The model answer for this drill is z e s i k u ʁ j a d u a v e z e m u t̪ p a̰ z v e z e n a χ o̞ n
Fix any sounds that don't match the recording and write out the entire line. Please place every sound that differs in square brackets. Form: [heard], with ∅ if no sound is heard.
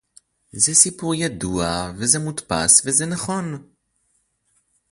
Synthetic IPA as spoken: z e s i [p] u ʁ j a d u a v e z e m u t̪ p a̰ [s] v e z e n a χ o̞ n